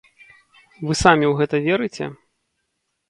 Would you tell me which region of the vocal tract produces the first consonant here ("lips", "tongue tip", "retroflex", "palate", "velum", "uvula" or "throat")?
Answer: lips